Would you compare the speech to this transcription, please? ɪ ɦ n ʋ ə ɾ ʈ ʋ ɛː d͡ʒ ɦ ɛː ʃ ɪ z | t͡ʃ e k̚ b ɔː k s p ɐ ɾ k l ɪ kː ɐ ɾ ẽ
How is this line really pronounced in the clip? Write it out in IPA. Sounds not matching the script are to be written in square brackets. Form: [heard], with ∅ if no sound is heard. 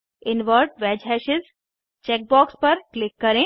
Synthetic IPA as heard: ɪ [∅] n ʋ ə ɾ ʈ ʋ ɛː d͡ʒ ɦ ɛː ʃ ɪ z | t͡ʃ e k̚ b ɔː k s p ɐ ɾ k l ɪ kː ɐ ɾ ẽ